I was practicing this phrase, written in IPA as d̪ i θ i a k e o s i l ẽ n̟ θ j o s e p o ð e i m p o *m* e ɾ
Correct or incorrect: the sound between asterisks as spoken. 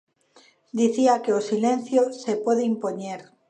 incorrect: ɲ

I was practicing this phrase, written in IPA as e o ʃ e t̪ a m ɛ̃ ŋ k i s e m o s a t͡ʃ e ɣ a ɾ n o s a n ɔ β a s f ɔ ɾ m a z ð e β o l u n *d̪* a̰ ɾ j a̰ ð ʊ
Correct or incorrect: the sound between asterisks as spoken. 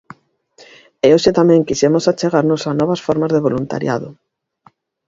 incorrect: t̪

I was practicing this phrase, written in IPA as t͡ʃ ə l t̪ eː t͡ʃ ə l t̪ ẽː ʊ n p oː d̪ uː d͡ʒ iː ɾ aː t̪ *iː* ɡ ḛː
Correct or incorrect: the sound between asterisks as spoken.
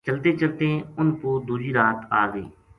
incorrect: aː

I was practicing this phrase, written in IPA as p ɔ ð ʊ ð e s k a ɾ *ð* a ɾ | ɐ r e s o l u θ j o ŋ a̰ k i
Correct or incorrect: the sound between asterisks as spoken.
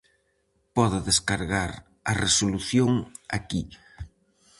incorrect: ɣ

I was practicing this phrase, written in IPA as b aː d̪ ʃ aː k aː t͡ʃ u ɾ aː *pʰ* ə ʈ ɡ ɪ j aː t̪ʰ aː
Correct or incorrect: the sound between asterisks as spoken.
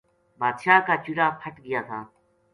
correct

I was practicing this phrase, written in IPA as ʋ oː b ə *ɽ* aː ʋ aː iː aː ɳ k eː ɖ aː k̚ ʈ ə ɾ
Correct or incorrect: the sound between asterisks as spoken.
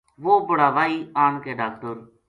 correct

